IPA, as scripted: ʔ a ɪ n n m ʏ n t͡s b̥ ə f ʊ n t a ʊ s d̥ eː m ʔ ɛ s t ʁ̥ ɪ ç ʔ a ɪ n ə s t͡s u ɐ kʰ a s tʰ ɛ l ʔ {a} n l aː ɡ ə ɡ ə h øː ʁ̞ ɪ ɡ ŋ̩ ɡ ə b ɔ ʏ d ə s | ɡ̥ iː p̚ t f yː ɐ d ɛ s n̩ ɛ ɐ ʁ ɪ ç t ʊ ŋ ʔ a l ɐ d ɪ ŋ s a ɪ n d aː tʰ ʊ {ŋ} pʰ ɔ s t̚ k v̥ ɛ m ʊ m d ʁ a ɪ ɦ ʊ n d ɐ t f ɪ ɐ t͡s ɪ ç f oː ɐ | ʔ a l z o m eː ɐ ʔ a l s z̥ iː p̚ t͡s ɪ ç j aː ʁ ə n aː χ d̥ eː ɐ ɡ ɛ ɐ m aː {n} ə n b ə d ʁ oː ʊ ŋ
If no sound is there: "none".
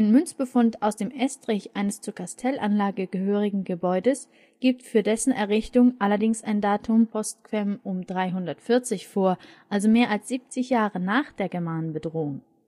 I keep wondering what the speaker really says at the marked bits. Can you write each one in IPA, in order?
a, m, n

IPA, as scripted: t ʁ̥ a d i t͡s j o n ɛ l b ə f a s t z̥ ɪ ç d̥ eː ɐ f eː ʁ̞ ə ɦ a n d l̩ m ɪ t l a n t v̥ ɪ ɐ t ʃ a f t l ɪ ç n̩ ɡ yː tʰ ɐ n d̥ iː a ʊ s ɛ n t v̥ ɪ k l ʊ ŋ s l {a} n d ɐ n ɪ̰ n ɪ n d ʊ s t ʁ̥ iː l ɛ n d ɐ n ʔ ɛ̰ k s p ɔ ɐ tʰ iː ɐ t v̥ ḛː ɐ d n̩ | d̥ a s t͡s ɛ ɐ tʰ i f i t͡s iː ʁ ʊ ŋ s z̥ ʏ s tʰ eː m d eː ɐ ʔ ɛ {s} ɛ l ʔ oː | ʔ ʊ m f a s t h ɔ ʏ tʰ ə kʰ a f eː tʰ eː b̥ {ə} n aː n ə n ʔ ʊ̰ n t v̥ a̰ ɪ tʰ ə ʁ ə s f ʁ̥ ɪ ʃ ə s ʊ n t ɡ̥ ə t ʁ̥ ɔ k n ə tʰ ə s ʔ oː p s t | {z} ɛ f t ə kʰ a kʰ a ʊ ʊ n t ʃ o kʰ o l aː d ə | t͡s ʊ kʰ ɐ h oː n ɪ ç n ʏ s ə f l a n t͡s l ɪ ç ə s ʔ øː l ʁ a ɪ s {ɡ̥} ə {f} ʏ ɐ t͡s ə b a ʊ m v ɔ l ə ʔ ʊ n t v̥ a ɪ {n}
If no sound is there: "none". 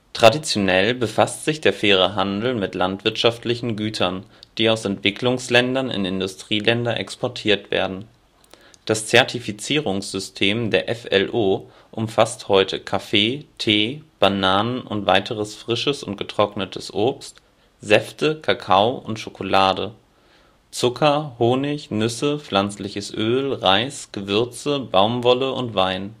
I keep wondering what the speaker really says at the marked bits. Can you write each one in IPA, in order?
ɛ, f, a, z, ɡ̥, v, n

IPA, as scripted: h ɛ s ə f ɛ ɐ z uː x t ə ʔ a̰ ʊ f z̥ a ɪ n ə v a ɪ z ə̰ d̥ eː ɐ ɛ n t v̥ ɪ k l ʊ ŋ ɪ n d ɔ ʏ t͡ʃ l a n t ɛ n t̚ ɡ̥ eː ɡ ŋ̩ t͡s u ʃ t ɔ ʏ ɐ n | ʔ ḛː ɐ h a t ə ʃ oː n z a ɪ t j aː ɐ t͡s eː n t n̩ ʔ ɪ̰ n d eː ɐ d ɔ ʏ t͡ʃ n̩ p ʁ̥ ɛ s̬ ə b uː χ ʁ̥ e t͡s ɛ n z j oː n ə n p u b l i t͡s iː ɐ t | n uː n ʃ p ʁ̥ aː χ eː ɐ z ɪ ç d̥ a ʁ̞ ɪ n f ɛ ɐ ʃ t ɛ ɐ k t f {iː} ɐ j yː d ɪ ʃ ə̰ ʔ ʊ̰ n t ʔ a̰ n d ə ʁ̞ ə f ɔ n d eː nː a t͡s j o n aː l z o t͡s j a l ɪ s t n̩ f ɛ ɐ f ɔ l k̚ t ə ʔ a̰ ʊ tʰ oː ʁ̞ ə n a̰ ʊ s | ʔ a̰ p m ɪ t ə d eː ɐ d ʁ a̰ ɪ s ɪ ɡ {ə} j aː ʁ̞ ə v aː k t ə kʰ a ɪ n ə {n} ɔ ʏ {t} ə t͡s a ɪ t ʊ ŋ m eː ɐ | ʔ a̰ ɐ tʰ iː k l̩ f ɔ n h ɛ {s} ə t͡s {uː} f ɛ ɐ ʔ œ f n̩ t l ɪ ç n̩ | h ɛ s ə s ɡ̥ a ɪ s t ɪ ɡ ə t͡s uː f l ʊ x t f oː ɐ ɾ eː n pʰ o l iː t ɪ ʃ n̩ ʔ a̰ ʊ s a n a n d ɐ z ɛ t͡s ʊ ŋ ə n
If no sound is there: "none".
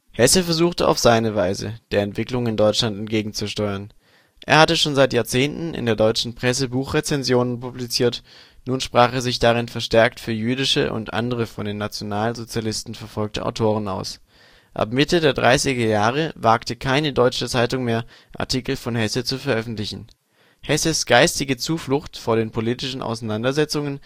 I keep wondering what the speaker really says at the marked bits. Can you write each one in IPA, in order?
yː, ɐ, d, t͡ʃ, s, u

